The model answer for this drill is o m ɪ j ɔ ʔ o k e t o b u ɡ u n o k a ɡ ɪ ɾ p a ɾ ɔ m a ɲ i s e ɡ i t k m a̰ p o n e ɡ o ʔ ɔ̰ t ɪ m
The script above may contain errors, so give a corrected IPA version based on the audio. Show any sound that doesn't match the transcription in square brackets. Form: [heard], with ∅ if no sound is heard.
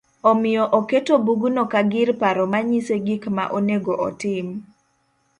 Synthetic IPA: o m ɪ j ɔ ʔ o k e t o b u ɡ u n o k a ɡ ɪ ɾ p a ɾ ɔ m a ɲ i s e ɡ i [∅] k m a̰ [ʔ] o n e ɡ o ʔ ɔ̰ t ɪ m